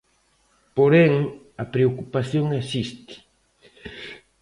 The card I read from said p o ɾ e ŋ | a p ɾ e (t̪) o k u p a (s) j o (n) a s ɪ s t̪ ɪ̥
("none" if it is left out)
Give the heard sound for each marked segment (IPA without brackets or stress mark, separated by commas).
none, s, ŋ